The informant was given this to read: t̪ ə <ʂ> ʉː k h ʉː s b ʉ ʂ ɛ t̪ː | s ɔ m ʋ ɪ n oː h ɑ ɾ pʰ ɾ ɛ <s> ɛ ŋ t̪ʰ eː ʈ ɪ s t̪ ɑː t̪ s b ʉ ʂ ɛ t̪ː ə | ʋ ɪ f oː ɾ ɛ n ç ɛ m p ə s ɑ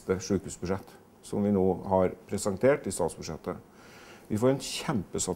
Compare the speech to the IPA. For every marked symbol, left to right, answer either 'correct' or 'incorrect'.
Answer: correct, correct

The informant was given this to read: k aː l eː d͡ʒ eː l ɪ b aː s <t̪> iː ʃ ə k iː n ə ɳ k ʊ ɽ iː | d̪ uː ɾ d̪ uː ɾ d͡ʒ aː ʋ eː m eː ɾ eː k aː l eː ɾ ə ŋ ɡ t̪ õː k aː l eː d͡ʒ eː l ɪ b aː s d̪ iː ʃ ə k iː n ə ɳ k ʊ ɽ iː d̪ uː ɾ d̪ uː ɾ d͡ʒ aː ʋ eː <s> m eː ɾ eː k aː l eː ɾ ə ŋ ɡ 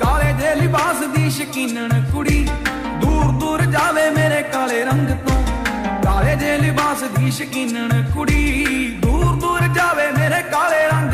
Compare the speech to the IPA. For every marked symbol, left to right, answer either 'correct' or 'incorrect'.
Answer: incorrect: d̪, incorrect: none

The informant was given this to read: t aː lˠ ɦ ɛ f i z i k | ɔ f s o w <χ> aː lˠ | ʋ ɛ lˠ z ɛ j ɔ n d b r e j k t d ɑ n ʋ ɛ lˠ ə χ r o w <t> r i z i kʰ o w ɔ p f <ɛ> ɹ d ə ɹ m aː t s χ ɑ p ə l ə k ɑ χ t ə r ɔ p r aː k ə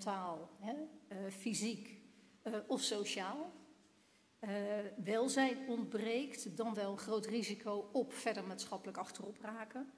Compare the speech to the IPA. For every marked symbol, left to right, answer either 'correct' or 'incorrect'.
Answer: incorrect: ʃ, correct, correct

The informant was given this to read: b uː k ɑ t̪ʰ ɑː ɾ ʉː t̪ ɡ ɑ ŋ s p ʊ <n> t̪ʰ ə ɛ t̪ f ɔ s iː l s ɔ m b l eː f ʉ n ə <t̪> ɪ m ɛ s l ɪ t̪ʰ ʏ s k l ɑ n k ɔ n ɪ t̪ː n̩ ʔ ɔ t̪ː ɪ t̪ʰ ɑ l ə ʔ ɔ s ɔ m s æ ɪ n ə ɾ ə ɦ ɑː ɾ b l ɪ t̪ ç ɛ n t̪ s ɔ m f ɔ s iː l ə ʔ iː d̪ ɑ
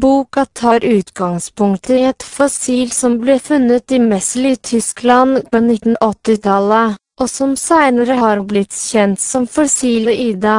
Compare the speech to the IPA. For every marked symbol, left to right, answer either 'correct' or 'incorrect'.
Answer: incorrect: ŋ, correct

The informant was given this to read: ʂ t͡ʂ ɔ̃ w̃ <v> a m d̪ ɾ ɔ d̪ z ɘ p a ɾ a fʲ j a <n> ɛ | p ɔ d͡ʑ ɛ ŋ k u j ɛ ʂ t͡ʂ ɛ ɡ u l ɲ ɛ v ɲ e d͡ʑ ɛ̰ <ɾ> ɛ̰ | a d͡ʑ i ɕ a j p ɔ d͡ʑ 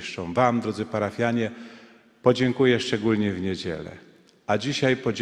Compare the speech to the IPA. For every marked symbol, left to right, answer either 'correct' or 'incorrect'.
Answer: correct, incorrect: ɲ, incorrect: l

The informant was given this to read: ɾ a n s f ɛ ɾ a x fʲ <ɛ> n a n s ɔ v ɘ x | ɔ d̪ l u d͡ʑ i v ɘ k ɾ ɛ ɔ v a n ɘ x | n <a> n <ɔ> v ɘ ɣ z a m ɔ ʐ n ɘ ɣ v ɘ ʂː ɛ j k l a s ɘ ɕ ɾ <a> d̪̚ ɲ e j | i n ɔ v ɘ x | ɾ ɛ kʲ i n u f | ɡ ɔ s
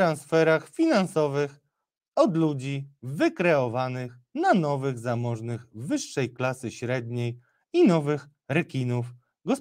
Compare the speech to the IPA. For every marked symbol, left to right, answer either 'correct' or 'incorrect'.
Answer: incorrect: i, correct, correct, incorrect: ɛ

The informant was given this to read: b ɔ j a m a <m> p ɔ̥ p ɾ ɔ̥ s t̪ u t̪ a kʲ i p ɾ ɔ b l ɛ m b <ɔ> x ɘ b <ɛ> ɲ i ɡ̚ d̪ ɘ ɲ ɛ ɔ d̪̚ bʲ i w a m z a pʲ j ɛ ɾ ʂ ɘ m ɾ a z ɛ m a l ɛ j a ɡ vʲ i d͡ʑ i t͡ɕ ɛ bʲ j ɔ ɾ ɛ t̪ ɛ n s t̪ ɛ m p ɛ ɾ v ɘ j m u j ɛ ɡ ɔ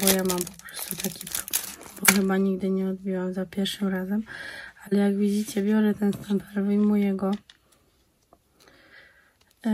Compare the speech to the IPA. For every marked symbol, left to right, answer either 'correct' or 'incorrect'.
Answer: correct, correct, incorrect: a

